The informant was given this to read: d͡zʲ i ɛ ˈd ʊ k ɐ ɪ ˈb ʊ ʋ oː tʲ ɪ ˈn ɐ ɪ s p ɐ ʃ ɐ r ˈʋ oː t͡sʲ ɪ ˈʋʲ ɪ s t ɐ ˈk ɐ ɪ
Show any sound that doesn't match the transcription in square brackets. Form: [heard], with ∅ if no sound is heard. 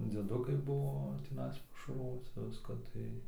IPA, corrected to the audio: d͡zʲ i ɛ ˈd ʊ k ɐ ɪ ˈb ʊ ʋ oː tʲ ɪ ˈn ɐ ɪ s p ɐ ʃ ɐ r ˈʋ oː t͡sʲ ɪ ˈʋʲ ɪ s [k] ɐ [ˈt] ɐ ɪ

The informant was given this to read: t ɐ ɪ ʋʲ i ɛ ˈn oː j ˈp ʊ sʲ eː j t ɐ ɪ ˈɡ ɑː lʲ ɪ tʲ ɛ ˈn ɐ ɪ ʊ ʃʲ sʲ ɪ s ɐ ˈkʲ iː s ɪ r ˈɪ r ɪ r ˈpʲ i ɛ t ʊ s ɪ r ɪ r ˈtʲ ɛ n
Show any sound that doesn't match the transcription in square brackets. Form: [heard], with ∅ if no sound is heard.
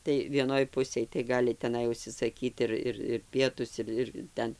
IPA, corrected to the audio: t ɐ ɪ ʋʲ i ɛ ˈn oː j ˈp ʊ sʲ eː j t ɐ ɪ ˈɡ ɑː lʲ ɪ tʲ ɛ ˈn ɐ ɪ ʊ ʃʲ sʲ ɪ s ɐ ˈkʲ iː [t] ɪ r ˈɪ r ɪ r ˈpʲ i ɛ t ʊ s ɪ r ɪ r ˈtʲ ɛ n

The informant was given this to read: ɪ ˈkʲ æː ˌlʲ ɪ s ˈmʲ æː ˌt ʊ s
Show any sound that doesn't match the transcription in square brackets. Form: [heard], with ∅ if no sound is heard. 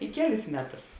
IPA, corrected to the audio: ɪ ˈkʲ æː ˌlʲ ɪ s ˈmʲ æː ˌt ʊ s

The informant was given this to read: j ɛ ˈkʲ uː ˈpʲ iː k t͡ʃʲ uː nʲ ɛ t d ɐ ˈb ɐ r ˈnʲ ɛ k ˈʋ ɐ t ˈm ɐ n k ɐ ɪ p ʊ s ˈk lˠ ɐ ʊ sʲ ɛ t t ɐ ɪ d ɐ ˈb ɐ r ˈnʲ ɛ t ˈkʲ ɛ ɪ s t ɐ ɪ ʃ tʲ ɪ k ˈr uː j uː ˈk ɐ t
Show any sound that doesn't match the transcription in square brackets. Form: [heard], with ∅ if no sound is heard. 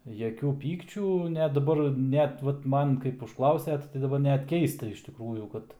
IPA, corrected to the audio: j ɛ ˈkʲ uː ˈpʲ iː k t͡ʃʲ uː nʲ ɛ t d ɐ ˈb ɐ r ˈnʲ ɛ [t] ˈʋ ɐ t ˈm ɐ n k ɐ ɪ p ʊ [ʃ] ˈk lˠ ɐ ʊ sʲ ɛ t t ɐ ɪ d ɐ ˈb ɐ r ˈnʲ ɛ t ˈkʲ ɛ ɪ s t ɐ ɪ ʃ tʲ ɪ k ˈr uː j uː ˈk ɐ t

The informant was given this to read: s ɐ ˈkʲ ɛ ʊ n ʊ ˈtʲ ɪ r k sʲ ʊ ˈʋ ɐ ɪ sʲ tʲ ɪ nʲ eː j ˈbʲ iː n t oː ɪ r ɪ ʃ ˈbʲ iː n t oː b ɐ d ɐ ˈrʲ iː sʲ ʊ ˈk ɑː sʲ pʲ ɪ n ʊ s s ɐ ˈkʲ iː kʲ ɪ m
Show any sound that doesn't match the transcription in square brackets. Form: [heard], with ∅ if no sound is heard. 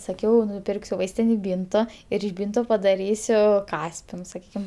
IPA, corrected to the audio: s ɐ ˈkʲ ɛ ʊ n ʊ [ˈpʲ] ɪ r k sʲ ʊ ˈʋ ɐ ɪ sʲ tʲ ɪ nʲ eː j ˈbʲ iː n t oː ɪ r ɪ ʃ ˈbʲ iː n t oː [p] ɐ d ɐ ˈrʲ iː sʲ ʊ ˈk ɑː sʲ pʲ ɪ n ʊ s s ɐ ˈkʲ iː kʲ ɪ m

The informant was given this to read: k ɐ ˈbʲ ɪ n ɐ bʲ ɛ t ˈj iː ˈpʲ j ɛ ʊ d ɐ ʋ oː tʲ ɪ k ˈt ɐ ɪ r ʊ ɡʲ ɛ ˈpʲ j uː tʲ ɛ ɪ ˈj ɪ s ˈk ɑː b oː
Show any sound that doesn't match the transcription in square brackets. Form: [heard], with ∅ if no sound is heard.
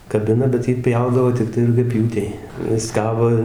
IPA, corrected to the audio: k ɐ ˈbʲ ɪ n ɐ bʲ ɛ t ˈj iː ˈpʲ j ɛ ʊ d ɐ ʋ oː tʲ ɪ k ˈt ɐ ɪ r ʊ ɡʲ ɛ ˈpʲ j uː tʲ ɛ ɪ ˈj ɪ s ˈk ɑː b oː

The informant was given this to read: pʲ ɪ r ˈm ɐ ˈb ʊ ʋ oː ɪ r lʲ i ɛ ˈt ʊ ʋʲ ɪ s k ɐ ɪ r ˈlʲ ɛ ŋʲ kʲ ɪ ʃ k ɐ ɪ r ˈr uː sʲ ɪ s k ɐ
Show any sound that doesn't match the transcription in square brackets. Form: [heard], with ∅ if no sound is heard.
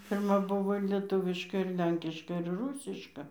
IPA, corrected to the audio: pʲ ɪ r ˈm ɐ ˈb ʊ ʋ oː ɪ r lʲ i ɛ ˈt ʊ ʋʲ ɪ [ʃ] k ɐ ɪ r ˈlʲ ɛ ŋʲ kʲ ɪ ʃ k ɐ ɪ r ˈr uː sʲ ɪ [ʃ] k ɐ

